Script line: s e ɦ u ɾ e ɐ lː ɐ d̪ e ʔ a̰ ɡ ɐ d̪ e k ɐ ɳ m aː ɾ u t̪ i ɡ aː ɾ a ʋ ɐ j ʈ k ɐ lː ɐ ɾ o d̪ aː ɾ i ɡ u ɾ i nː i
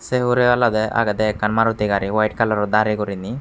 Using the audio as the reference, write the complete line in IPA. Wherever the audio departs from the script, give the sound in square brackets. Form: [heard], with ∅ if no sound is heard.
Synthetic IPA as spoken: s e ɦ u ɾ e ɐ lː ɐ d̪ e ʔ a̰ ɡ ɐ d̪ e k ɐ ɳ m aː ɾ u t̪ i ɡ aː ɾ [i] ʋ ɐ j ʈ k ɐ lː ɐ ɾ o d̪ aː ɾ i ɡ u ɾ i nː i